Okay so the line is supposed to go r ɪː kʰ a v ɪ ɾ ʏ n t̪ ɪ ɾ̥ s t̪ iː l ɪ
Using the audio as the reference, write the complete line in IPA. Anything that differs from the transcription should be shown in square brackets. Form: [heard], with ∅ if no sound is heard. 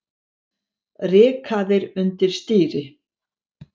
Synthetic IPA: r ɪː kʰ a [ð] ɪ ɾ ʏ n t̪ ɪ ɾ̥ s t̪ iː [ɾ] ɪ